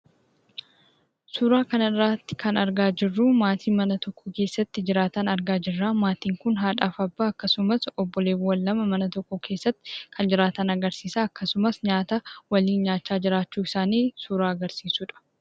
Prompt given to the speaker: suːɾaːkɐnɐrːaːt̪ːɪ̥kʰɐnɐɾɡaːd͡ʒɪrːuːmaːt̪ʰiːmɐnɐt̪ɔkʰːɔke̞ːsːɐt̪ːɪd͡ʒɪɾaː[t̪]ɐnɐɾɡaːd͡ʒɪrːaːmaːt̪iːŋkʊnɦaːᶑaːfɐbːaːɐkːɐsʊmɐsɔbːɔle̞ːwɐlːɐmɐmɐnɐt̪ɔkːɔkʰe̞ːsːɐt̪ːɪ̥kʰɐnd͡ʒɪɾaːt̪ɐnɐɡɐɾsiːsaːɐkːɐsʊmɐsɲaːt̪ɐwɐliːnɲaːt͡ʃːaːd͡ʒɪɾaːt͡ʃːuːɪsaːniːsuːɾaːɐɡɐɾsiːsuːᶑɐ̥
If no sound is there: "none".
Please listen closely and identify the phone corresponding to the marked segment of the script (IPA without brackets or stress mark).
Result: t̪